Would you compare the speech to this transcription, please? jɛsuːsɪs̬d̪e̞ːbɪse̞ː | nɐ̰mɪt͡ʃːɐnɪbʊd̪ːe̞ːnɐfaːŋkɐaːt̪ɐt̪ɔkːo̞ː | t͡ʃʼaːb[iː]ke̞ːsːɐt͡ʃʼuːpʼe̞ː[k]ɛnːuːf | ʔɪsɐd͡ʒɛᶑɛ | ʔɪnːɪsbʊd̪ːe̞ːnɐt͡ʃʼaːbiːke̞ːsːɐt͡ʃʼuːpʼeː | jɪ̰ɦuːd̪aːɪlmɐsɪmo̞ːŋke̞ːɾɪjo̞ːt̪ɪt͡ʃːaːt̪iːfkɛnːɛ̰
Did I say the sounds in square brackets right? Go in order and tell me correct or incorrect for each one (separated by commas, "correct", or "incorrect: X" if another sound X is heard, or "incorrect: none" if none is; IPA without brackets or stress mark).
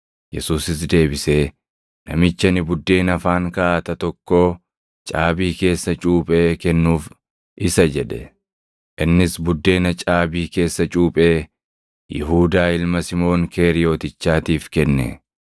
correct, correct